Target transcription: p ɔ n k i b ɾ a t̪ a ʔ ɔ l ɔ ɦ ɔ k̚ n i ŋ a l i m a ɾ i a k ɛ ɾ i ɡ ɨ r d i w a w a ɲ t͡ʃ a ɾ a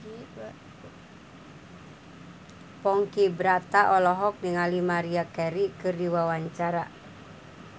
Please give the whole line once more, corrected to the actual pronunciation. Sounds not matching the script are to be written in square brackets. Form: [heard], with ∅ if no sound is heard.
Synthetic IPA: p ɔ [ŋ] k i b ɾ a t̪ a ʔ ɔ l ɔ ɦ ɔ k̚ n i ŋ a l i m a ɾ i a k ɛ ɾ i [k] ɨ r d i w a w a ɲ t͡ʃ a ɾ a